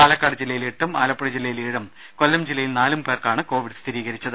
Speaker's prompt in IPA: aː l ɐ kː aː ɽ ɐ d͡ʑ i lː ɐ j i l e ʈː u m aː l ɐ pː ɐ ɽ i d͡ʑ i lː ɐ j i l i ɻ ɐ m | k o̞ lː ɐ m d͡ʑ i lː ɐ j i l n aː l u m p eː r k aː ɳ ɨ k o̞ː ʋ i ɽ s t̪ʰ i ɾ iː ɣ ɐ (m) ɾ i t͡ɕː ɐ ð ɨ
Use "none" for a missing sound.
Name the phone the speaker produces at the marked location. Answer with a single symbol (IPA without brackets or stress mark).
none